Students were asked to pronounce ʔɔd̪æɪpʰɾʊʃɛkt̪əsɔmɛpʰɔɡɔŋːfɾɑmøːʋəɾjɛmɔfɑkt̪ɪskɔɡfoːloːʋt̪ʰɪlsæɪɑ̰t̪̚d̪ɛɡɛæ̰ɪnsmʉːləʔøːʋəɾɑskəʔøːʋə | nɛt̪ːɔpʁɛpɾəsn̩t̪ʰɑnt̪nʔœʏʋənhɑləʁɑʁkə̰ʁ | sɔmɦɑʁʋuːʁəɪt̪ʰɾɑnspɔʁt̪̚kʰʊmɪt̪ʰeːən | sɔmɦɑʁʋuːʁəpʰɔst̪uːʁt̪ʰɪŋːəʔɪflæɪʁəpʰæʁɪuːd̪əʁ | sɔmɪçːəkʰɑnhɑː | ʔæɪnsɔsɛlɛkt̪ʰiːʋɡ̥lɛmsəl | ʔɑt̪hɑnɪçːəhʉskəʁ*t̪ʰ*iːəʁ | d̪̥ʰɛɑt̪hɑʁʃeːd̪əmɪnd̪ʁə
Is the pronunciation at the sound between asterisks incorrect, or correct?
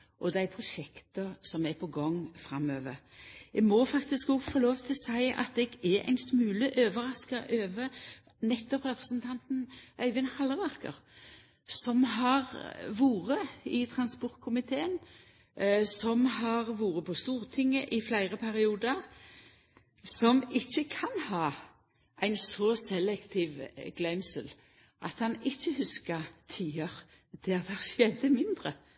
correct